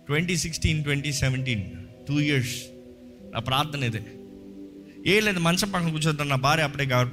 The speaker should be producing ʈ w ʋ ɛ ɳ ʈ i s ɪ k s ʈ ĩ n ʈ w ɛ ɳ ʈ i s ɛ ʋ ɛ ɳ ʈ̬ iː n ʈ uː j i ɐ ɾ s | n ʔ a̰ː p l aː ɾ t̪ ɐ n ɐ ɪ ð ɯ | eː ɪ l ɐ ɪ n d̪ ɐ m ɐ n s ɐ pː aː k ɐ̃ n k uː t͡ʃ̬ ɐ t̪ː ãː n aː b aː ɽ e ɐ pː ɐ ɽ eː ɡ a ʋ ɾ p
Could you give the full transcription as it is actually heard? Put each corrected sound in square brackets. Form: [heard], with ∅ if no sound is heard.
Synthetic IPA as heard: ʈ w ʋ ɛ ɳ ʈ i s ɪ k s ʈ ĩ n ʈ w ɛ ɳ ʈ i s ɛ ʋ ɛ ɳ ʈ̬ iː n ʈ uː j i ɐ ɾ s | n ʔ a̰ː p [ɾ] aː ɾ t̪ ɐ n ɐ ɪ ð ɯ | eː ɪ l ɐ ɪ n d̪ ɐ m ɐ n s ɐ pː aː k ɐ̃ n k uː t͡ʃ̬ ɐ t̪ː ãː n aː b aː [ɾ] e ɐ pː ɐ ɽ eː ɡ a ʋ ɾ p